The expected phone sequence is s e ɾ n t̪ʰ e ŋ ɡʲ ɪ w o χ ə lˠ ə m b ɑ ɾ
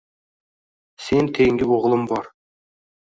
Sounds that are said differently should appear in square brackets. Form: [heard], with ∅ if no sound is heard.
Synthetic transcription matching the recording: s e [∅] n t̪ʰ e ŋ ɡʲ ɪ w o [ʁ] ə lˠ ə m b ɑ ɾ